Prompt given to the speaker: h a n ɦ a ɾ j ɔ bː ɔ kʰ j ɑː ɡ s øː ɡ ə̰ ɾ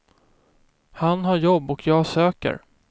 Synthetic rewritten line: h a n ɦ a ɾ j ɔ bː ɔ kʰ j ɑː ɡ s øː k ə̰ ɾ